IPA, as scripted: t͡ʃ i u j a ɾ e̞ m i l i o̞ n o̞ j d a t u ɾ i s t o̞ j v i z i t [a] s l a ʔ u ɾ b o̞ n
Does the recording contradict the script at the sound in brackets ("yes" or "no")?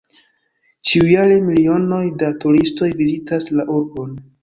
no